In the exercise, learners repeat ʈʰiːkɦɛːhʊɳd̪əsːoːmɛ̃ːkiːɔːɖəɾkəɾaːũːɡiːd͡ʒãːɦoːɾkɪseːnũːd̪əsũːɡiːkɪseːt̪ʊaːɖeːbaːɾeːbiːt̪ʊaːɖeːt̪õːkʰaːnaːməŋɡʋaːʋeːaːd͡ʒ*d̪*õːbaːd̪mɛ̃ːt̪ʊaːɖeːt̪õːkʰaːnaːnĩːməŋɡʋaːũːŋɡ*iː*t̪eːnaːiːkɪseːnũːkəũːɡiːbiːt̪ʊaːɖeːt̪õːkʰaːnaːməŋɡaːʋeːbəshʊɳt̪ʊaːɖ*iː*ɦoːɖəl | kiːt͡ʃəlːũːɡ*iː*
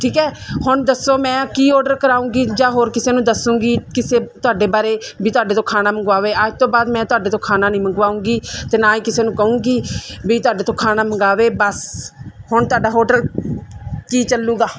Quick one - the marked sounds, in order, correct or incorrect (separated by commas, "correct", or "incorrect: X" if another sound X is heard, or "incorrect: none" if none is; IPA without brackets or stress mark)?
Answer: incorrect: t̪, correct, incorrect: aː, incorrect: aː